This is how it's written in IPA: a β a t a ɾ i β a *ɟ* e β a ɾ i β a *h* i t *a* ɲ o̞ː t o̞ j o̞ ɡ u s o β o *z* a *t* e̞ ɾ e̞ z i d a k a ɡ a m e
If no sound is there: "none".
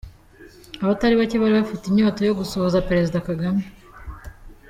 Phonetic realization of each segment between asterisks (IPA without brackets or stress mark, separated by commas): c, f, i, z, p